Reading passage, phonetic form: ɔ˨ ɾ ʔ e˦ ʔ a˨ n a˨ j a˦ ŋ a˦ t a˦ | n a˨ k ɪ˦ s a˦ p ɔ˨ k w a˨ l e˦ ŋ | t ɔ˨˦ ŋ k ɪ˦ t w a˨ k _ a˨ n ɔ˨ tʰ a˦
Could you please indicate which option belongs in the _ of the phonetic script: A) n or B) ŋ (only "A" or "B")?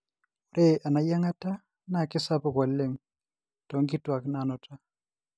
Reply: A